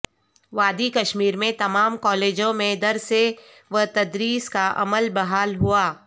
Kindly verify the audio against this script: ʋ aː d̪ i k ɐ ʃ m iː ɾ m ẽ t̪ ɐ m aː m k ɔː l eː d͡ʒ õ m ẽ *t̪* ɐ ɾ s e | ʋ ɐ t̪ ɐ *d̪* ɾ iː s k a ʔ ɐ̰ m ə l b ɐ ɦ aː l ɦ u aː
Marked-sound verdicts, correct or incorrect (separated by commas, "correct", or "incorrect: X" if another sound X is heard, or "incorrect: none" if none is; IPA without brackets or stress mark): incorrect: d̪, correct